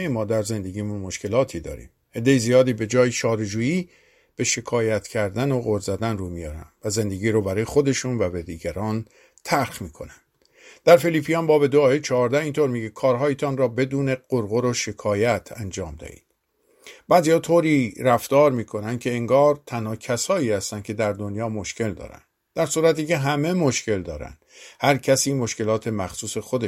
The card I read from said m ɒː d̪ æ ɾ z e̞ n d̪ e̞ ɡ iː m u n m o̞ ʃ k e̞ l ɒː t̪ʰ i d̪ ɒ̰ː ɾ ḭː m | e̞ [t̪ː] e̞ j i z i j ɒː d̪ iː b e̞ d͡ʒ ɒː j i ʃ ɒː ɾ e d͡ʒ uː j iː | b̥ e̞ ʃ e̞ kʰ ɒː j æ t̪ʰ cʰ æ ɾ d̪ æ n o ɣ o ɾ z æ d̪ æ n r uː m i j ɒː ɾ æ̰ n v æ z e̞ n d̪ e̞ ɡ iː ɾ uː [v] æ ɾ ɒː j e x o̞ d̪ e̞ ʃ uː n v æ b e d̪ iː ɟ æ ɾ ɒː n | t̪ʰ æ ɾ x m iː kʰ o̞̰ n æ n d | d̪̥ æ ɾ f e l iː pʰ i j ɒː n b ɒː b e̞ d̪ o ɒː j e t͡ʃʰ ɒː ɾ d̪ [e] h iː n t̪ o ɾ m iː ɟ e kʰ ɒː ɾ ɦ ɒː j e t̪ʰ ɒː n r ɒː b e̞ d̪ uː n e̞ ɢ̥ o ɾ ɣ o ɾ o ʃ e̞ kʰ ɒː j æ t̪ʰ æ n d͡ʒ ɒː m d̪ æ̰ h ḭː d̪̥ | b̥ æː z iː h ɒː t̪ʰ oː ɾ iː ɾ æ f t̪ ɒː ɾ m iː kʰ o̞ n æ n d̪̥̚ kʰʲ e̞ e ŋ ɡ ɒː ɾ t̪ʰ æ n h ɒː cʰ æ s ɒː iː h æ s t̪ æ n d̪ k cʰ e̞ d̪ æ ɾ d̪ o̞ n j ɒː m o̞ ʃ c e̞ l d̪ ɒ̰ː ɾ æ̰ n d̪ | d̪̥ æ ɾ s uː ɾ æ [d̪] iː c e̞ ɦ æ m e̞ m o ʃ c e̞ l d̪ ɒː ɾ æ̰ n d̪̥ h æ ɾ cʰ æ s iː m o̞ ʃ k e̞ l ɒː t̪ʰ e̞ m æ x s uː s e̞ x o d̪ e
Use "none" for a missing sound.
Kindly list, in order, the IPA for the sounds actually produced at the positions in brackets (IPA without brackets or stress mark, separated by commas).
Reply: d̪ː, b, æ, t̪